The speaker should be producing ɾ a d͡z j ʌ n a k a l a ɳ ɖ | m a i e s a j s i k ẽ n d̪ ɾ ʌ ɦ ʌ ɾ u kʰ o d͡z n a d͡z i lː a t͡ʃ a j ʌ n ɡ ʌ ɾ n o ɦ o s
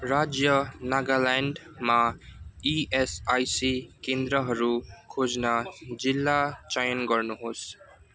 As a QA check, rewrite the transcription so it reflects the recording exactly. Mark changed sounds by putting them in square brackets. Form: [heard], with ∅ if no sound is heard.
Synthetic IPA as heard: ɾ a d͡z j ʌ n a [ɡ] a l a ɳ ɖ | m a i e s a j s i k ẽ n d̪ ɾ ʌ ɦ ʌ ɾ u kʰ o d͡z n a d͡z i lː a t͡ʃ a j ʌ n ɡ ʌ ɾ n [u] ɦ o s